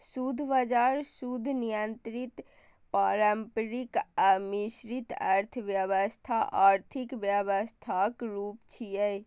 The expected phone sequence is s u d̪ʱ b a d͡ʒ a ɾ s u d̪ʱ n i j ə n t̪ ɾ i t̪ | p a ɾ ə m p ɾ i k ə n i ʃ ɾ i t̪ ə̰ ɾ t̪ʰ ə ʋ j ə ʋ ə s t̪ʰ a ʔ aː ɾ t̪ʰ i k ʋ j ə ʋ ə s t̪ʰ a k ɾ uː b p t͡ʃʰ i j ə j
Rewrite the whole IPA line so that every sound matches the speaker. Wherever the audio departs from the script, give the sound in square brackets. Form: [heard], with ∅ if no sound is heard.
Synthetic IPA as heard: s u d̪ʱ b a d͡ʒ a ɾ s u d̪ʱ n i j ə n t̪ ɾ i t̪ | p a ɾ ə m p ɾ i k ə [m] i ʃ ɾ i t̪ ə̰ ɾ t̪ʰ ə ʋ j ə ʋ ə s t̪ʰ a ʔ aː ɾ t̪ʰ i k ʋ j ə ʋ ə s t̪ʰ a k ɾ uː [∅] p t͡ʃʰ i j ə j